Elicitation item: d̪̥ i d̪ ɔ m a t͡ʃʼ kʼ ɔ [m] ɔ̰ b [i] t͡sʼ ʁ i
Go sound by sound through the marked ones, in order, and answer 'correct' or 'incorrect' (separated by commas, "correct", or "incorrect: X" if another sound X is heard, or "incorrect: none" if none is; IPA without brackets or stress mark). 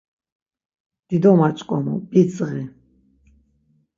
correct, correct